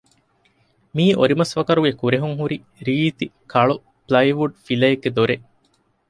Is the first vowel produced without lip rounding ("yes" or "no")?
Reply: yes